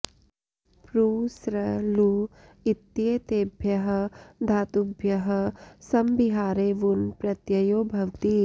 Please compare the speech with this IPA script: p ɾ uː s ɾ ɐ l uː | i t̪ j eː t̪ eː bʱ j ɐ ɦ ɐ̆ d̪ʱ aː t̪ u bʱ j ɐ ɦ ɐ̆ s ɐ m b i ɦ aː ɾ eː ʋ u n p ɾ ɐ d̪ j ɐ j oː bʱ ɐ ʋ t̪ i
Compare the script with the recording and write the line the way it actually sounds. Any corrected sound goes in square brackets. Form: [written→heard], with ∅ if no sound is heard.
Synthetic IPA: p ɾ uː s ɾ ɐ l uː | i t̪ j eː t̪ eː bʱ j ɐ ɦ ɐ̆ d̪ʱ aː t̪ u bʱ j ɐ ɦ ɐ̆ s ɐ m b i ɦ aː ɾ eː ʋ u n p ɾ ɐ [d̪→t̪] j ɐ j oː bʱ ɐ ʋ t̪ i